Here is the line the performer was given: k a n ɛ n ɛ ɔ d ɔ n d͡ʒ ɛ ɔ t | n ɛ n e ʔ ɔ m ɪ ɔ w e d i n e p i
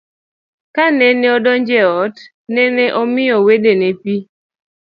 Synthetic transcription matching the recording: k a n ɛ n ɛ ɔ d ɔ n d͡ʒ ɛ ɔ t | n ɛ n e ʔ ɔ m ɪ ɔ w e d e n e p i

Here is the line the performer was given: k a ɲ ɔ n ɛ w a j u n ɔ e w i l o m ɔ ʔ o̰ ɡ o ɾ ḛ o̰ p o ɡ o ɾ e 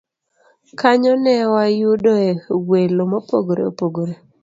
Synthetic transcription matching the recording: k a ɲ ɔ n ɛ w a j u d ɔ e w e l o m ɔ p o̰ ɡ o ɾ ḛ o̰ p o ɡ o ɾ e

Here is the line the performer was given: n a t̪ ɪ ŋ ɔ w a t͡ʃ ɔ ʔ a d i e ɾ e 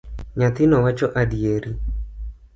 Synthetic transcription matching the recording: ɲ a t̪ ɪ n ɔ w a t͡ʃ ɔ ʔ a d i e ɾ i

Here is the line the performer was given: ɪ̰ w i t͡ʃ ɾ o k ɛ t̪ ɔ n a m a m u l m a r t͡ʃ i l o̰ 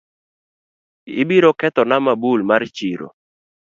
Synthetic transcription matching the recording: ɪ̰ b i ɾ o k ɛ t̪ ɔ n a m a b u l m a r t͡ʃ i ɾ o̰

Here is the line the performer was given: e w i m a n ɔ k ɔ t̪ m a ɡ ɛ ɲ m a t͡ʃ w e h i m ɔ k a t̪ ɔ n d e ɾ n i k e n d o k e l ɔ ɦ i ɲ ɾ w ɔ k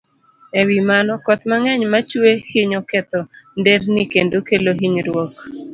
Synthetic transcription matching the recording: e w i m a n ɔ k ɔ t̪ m a ŋ ɛ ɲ m a t͡ʃ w e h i ɲ ɔ k ɛ t̪ ɔ n d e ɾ n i k e n d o k e l o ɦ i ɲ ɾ w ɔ k

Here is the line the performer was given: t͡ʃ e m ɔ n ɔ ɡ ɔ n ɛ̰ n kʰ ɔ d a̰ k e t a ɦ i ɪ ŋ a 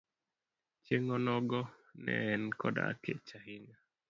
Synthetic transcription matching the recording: t͡ʃ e ŋ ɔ n ɔ ɡ ɔ n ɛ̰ n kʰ ɔ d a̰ k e t͡ʃ a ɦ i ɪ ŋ a

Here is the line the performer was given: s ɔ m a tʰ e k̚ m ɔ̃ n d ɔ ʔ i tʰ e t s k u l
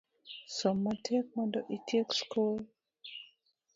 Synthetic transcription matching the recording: s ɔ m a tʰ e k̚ m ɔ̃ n d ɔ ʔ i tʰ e k s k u l

